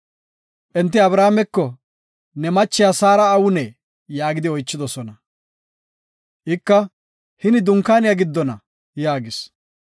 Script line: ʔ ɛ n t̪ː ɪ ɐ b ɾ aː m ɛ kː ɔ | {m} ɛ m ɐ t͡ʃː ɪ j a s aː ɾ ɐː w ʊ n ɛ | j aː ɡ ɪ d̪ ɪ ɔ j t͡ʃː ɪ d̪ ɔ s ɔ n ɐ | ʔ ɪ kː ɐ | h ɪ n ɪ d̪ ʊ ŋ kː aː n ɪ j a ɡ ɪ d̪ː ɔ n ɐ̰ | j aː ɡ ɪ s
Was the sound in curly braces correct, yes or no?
no